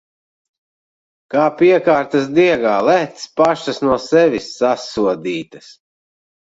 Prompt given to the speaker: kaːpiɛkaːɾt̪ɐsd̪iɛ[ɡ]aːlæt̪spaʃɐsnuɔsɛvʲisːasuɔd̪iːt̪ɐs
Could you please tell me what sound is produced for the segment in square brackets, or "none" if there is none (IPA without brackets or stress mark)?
ɡ